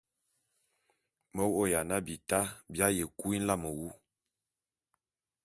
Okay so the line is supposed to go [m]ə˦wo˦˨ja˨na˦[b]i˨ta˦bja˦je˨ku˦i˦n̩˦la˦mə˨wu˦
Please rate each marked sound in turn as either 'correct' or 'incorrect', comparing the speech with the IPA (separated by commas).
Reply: correct, correct